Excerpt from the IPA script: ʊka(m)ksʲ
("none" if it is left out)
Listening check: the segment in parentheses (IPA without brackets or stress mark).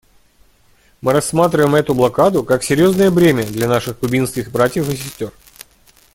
none